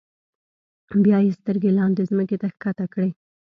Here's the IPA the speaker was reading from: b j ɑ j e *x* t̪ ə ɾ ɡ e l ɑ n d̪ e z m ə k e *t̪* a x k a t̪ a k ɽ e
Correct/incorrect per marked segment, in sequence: incorrect, correct

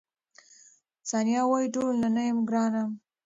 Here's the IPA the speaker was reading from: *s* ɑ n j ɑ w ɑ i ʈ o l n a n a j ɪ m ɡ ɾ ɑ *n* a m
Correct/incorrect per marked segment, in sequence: correct, correct

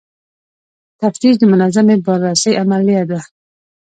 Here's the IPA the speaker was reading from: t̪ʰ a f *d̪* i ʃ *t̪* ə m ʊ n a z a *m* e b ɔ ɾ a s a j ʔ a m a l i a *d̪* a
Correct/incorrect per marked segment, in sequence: incorrect, incorrect, correct, correct

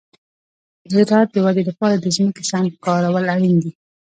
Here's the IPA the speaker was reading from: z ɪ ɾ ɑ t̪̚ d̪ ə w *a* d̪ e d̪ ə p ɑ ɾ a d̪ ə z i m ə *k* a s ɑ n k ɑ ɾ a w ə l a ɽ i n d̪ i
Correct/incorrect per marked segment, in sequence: correct, correct

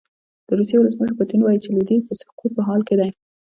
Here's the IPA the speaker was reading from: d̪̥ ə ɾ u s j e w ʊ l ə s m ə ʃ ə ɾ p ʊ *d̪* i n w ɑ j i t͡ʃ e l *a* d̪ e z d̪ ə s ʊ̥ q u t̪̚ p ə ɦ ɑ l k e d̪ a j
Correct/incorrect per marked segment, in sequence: incorrect, incorrect

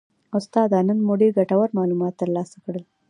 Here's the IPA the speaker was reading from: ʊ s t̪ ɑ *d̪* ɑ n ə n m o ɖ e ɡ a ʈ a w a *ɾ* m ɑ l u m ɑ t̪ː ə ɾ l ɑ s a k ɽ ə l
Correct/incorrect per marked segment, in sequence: correct, correct

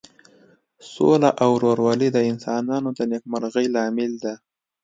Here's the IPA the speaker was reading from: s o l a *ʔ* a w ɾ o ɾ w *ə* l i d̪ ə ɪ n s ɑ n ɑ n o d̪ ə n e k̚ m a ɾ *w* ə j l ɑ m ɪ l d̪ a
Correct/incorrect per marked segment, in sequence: correct, incorrect, incorrect

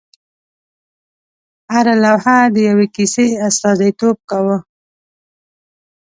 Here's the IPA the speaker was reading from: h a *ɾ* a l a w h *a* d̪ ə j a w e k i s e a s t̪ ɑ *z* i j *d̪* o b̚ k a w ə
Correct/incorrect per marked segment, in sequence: correct, correct, correct, incorrect

